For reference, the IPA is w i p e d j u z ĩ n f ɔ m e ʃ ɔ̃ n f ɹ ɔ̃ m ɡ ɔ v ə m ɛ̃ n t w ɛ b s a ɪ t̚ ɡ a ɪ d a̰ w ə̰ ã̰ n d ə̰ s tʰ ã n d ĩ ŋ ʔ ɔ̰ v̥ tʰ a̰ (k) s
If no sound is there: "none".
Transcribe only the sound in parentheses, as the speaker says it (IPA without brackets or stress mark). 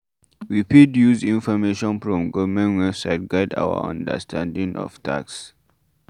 k